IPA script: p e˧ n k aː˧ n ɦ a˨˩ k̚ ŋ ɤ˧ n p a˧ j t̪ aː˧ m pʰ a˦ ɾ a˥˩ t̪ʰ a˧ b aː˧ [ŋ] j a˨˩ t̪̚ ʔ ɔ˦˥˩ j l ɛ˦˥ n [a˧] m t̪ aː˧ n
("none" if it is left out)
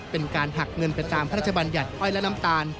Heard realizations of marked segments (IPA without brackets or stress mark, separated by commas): n, a˦˥